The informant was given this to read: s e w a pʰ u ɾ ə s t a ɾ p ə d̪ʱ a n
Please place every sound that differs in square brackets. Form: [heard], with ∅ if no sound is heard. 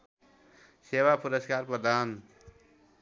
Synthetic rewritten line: s e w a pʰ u ɾ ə s [k] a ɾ p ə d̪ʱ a n